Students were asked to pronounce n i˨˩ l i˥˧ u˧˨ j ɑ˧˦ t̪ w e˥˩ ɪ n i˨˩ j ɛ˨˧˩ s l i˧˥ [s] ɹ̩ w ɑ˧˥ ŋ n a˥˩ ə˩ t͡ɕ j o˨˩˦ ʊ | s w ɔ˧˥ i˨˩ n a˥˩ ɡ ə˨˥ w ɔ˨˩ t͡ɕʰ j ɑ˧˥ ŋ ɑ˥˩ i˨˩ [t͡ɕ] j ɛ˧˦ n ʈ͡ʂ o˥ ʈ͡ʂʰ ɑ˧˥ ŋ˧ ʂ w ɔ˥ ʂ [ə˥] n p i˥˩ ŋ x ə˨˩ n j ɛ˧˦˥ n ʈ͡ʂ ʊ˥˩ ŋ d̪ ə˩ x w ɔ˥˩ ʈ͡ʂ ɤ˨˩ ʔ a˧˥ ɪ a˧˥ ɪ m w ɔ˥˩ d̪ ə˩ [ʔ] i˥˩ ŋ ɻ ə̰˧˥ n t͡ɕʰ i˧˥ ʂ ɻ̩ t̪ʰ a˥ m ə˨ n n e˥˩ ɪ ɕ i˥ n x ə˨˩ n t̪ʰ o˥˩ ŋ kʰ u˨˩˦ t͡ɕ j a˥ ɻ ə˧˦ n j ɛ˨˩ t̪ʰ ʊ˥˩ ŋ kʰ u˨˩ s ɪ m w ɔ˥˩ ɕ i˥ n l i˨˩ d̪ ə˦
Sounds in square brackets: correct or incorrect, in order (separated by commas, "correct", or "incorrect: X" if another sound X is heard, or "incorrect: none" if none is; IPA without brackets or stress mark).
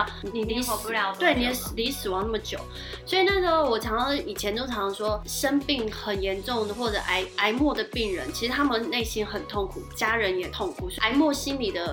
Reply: correct, incorrect: t͡ɕʰ, correct, incorrect: p